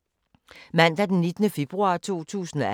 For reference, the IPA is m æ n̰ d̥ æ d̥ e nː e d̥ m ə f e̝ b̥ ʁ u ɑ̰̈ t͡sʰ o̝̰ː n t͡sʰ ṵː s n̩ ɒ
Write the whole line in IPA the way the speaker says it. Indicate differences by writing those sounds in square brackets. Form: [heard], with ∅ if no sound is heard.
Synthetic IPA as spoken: m æ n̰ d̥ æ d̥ e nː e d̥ [n] ə f e̝ b̥ ʁ u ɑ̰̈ t͡sʰ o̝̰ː [∅] t͡sʰ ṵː s n̩ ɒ